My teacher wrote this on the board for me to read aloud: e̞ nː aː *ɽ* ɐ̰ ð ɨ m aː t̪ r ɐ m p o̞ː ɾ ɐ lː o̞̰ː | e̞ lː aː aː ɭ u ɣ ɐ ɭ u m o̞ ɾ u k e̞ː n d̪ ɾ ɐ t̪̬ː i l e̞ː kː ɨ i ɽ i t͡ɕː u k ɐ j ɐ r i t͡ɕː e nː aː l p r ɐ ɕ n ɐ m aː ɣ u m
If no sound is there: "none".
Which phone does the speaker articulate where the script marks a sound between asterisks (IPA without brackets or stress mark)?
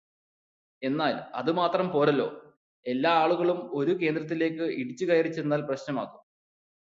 l